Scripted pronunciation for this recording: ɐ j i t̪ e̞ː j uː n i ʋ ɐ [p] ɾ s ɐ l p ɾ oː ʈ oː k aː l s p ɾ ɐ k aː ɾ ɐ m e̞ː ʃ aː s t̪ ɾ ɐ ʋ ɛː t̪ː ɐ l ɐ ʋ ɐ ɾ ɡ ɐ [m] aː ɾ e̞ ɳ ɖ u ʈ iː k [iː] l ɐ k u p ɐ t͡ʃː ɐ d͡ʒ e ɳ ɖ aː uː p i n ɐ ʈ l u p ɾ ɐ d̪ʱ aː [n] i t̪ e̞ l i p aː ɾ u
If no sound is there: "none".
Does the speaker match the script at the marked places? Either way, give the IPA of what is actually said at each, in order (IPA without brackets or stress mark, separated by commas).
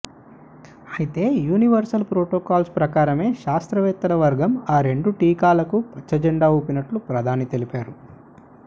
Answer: none, m, aː, n